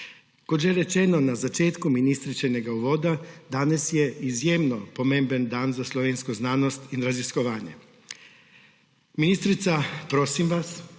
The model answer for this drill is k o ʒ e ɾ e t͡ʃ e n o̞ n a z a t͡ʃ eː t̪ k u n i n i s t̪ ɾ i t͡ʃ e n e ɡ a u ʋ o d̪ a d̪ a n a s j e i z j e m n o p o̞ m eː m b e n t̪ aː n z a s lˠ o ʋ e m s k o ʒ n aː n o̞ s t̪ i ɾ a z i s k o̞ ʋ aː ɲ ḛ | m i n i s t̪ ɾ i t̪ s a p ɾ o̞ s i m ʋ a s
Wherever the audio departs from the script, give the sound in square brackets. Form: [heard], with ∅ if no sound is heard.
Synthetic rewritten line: k o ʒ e ɾ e t͡ʃ e n o̞ n a z a t͡ʃ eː t̪ k u [m] i n i s t̪ ɾ i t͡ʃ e n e ɡ a u ʋ o d̪ a d̪ a n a s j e i z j e m n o p o̞ m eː m b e n [d̪] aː n z a s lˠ o ʋ e [n] s k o [z] n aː n o̞ s t̪ i ɾ a z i s k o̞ ʋ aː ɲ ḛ | m i n i s t̪ ɾ i t̪ s a p ɾ o̞ s i m ʋ a s